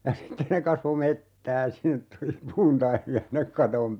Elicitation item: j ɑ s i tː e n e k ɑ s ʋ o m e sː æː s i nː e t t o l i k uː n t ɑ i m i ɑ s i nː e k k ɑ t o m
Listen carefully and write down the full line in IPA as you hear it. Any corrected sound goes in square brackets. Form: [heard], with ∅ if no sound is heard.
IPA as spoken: j ɑ s i tː e n e k ɑ s ʋ o m e [tː] æː s i nː e t t [u] l i [p] uː n t ɑ i m i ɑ s i nː e k k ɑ t o m